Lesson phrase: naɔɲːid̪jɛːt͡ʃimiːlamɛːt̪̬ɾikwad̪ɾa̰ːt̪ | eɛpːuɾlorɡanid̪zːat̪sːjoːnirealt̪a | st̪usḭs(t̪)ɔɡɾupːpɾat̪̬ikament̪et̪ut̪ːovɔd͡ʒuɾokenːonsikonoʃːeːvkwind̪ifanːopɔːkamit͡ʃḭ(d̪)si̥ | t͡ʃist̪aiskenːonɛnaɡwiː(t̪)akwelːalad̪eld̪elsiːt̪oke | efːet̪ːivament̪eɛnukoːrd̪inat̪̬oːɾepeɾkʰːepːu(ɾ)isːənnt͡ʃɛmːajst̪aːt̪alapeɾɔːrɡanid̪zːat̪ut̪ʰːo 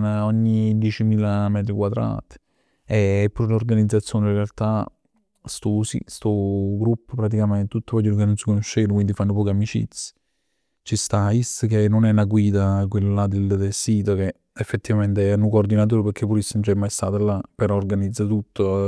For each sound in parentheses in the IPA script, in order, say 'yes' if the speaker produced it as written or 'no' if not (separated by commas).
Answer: yes, no, no, yes